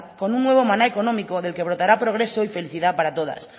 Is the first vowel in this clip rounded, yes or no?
yes